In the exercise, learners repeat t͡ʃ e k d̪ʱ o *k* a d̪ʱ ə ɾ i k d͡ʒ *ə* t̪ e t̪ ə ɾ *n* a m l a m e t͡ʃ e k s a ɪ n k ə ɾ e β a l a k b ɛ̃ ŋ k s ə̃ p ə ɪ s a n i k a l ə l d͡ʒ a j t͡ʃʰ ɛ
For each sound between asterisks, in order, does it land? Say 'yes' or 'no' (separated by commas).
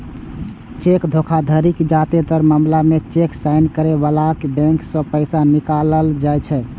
no, no, no